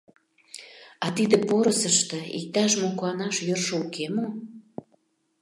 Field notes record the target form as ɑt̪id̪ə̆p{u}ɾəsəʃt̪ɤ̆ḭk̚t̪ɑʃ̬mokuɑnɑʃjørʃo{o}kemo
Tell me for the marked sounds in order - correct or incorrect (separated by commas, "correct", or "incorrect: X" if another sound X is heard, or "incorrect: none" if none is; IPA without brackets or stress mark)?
incorrect: o, incorrect: u